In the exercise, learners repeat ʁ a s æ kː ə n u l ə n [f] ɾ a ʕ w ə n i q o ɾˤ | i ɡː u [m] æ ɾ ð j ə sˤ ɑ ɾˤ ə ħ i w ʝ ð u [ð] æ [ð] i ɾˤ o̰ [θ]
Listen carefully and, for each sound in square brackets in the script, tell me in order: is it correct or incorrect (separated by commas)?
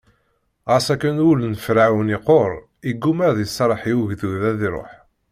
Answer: correct, correct, correct, correct, incorrect